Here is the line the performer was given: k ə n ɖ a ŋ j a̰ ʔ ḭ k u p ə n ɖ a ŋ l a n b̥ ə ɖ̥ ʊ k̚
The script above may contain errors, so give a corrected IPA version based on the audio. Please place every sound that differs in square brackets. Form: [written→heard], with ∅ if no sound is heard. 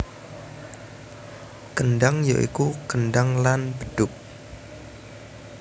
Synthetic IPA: k ə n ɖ a ŋ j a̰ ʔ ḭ k u [p→k] ə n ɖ a ŋ l a n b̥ ə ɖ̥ ʊ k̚